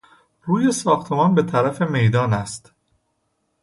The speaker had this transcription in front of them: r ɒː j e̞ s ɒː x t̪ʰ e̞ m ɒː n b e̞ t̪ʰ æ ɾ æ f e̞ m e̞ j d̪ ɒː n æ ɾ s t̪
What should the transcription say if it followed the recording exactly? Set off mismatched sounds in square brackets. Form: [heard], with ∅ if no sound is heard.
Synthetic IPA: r [uː] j e̞ s ɒː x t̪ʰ e̞ m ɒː n b e̞ t̪ʰ æ ɾ æ f e̞ m e̞ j d̪ ɒː n æ [∅] s t̪